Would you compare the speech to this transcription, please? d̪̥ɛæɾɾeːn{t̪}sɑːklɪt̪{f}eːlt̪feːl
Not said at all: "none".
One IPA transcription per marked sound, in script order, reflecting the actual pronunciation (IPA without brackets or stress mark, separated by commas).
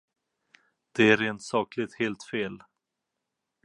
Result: t̪, h